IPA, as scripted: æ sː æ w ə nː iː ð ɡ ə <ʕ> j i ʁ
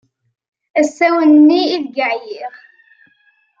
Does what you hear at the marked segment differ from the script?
no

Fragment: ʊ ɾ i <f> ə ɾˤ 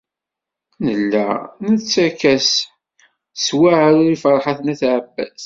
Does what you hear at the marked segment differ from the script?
no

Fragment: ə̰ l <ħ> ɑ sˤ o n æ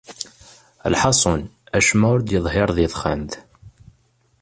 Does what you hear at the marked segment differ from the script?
no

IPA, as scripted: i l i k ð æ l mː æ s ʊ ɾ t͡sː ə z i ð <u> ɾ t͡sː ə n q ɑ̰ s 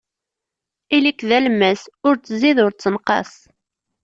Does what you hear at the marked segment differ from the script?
yes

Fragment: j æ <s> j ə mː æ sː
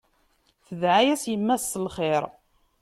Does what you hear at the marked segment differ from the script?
no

